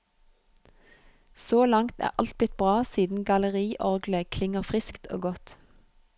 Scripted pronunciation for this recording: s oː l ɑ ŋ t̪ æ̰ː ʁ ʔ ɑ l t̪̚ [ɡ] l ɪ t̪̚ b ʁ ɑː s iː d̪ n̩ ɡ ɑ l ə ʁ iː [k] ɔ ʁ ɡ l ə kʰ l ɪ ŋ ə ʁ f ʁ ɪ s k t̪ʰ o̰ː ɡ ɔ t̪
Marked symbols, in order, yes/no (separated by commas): no, no